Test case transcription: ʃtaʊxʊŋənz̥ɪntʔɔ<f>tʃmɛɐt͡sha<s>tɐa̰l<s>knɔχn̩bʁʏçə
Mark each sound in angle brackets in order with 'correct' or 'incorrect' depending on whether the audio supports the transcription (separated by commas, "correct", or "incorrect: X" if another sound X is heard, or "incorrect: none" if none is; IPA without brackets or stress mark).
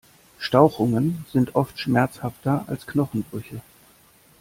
correct, incorrect: f, correct